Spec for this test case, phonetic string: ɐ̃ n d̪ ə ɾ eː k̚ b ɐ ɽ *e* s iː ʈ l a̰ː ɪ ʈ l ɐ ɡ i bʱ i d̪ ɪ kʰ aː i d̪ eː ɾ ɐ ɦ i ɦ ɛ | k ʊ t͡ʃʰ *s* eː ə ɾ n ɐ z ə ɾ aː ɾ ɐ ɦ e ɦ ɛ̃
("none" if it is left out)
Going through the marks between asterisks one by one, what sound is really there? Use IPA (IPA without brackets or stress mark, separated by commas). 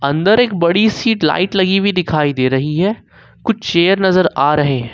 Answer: i, ʃ